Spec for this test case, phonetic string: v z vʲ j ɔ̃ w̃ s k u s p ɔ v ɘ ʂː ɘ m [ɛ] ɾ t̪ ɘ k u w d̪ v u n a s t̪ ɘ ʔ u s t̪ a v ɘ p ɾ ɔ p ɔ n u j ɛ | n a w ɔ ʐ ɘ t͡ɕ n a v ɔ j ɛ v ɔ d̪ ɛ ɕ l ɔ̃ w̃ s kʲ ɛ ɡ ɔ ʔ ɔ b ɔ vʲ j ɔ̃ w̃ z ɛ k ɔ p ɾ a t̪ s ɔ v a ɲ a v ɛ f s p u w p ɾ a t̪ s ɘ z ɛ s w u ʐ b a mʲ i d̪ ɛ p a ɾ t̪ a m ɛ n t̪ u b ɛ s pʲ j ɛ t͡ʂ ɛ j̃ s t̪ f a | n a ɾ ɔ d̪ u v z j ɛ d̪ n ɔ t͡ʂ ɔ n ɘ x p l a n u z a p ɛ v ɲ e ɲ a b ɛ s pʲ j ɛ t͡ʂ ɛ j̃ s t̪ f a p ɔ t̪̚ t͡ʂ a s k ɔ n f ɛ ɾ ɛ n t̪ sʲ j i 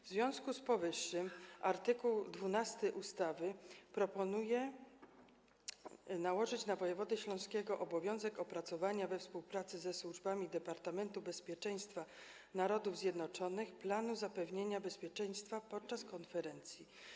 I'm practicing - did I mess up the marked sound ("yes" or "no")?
yes